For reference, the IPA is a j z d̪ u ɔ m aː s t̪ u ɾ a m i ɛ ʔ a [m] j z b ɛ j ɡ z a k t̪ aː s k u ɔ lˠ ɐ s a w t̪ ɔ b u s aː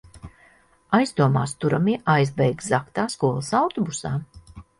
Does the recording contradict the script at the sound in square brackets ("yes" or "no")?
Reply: yes